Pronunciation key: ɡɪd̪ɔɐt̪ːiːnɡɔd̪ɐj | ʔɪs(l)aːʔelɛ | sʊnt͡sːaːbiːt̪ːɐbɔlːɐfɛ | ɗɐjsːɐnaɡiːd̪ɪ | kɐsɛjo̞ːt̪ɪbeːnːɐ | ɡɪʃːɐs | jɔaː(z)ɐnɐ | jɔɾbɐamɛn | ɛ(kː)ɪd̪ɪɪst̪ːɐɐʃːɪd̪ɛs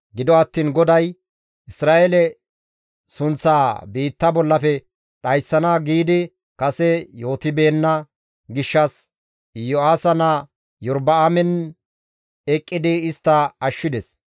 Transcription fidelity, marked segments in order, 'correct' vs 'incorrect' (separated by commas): incorrect, incorrect, incorrect